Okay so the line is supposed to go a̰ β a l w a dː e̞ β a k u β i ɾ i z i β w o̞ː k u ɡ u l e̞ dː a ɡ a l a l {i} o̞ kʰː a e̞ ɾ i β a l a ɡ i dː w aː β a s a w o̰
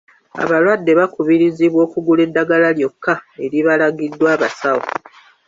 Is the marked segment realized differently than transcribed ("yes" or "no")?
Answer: yes